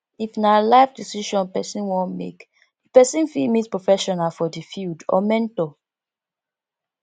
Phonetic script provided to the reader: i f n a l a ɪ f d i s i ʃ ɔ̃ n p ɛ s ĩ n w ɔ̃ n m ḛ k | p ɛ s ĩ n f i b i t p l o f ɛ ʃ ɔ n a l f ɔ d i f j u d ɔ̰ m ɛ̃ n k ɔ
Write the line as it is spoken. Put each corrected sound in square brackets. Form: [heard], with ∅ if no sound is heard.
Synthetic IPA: i f n a l a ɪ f d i s i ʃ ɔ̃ n p ɛ s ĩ n w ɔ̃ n m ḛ k | p ɛ s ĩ n f i [m] i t p [ɹ] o f ɛ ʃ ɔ n a l f ɔ d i f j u d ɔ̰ m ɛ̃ n [t] ɔ